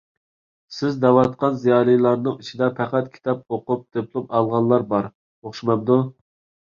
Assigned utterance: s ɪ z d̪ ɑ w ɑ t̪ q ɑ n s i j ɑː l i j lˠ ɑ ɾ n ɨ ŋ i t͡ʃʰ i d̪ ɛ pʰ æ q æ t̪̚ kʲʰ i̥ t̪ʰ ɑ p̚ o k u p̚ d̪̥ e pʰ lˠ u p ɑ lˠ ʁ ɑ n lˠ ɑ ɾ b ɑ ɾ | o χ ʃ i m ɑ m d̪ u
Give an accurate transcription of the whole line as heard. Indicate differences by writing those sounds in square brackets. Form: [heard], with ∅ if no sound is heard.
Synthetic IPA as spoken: s ɪ z d̪ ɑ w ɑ t̪ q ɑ n [z] i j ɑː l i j lˠ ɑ ɾ n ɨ ŋ i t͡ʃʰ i d̪ ɛ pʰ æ q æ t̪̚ kʲʰ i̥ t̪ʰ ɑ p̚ o [q] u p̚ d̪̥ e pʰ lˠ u p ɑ lˠ ʁ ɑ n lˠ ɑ ɾ b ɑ ɾ | o χ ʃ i m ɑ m d̪ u